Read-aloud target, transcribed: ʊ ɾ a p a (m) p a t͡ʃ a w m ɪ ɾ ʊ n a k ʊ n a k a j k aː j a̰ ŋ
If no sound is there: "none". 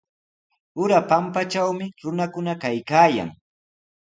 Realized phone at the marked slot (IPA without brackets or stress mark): m